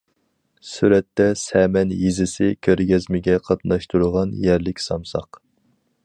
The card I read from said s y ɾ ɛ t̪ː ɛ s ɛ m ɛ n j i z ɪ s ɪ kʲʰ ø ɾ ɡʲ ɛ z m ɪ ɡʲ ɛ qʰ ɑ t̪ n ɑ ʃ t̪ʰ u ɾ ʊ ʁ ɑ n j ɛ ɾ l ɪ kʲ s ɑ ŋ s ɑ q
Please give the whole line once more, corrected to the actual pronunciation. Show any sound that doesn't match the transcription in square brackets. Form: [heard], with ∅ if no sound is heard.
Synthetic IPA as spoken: s y ɾ ɛ t̪ː ɛ s ɛ m ɛ n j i z ɪ s ɪ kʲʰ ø ɾ ɡʲ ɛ z m ɪ ɡʲ ɛ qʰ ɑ t̪ n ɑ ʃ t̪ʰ u ɾ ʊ ʁ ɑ n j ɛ ɾ l ɪ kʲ s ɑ [m] s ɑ q